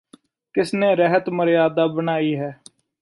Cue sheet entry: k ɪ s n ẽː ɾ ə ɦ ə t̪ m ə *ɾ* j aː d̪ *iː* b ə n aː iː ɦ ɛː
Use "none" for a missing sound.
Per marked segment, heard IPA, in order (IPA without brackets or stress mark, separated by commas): ɾ, aː